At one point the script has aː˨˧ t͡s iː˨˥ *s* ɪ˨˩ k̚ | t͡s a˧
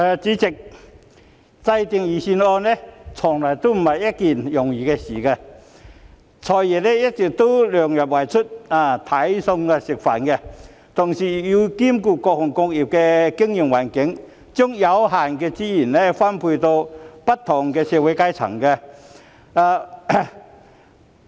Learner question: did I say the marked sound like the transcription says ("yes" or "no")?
no